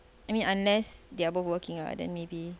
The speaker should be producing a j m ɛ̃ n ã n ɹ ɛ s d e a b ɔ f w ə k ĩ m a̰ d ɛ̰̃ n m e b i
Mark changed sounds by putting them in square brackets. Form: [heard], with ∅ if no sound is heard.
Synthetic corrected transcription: a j m [ĩ] n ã n [l] ɛ s d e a b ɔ f w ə k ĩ [ŋ] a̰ d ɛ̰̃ n m e b i